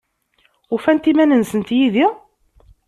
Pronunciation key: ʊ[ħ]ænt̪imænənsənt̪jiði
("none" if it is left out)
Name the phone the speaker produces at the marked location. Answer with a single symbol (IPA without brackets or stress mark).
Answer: f